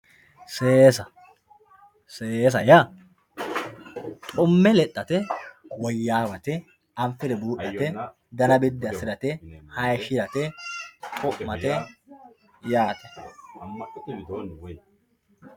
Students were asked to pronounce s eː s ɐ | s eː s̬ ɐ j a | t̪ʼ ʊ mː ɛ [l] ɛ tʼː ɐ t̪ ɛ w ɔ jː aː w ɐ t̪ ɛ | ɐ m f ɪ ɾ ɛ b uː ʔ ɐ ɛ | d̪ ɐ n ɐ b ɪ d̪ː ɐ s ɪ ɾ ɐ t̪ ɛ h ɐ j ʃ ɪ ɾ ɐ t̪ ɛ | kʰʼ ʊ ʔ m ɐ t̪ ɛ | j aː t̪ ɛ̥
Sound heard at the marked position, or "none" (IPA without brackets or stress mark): l